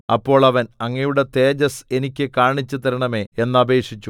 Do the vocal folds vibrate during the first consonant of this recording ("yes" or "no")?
no